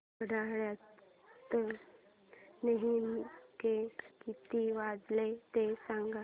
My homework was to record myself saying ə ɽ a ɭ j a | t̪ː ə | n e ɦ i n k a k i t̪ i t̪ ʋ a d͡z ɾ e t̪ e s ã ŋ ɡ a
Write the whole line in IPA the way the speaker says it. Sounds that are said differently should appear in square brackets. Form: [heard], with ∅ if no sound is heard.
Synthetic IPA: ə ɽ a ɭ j a | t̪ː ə | n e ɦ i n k [e] k i t̪ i [∅] ʋ a d͡z [l] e t̪ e s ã ŋ ɡ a